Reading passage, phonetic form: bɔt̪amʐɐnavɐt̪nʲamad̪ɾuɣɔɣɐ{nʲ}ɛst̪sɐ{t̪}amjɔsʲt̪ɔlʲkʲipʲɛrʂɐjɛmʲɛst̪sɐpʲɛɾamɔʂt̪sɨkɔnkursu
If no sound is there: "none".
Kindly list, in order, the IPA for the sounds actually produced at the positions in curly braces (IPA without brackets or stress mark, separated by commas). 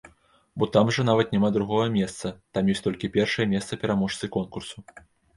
mʲ, t̪